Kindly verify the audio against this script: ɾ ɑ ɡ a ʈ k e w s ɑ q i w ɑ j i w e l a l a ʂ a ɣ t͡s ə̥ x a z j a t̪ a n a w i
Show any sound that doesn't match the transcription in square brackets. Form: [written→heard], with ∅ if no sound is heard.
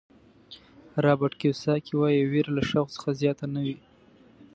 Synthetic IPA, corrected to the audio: ɾ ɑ [ɡ→b] a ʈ k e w s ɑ [q→k] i w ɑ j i w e [l→ɾ] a l a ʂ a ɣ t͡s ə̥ x a z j [a→ɑ] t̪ a n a w i